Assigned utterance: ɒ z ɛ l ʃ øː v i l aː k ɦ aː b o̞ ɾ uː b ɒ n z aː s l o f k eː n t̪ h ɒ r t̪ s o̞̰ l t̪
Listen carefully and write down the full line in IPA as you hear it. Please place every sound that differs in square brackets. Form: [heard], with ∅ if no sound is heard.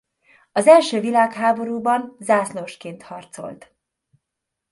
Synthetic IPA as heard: ɒ z ɛ l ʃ øː v i l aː k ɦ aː b o̞ ɾ uː b ɒ n z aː s l o [ʃ] k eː n t̪ h ɒ r t̪ s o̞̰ l t̪